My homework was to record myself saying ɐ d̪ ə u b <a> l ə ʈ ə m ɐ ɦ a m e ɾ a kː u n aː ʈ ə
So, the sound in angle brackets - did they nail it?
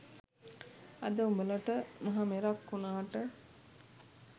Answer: no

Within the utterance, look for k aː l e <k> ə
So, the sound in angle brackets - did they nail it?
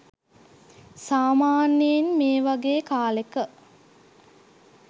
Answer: yes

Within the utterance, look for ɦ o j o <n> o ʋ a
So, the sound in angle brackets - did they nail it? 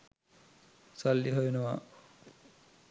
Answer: yes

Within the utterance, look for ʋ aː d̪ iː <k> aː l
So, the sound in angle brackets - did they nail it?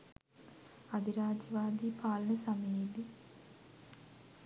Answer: no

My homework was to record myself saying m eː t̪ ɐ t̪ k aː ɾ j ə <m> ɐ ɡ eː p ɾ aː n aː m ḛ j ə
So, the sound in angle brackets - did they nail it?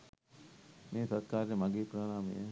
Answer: yes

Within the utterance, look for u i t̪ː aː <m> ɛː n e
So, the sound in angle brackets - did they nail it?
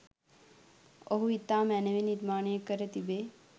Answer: yes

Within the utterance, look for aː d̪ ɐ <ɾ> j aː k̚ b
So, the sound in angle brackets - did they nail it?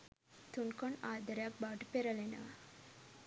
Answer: yes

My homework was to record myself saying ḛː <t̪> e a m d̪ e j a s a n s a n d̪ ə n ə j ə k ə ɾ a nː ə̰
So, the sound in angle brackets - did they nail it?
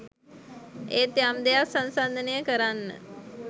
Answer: yes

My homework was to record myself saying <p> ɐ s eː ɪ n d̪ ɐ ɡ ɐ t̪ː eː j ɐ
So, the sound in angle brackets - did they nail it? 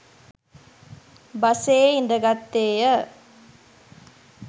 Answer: no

